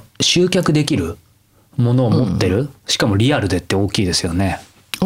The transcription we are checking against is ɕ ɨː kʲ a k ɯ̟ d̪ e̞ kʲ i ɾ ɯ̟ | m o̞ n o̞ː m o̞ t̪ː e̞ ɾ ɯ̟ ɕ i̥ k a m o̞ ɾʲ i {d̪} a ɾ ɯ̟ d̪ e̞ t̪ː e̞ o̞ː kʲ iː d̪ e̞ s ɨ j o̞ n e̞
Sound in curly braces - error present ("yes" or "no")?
yes